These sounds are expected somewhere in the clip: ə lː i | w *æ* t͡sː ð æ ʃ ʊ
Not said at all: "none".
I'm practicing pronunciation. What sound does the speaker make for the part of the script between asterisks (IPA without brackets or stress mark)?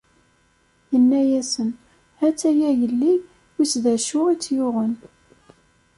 i